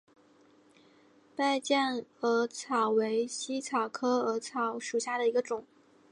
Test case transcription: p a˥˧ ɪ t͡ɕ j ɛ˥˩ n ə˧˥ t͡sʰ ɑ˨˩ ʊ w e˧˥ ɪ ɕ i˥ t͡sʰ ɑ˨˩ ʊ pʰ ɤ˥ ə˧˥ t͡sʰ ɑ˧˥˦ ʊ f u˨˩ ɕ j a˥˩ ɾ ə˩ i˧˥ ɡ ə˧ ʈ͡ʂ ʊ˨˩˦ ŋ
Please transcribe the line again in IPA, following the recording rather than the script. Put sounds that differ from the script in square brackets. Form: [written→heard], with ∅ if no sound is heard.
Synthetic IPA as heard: p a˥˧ ɪ t͡ɕ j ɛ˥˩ n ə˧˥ t͡sʰ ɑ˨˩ ʊ w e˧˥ ɪ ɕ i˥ t͡sʰ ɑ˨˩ ʊ [pʰ→kʰ] ɤ˥ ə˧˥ t͡sʰ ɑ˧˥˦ ʊ [f→ʂ] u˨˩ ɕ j a˥˩ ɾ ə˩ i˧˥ ɡ ə˧ ʈ͡ʂ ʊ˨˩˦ ŋ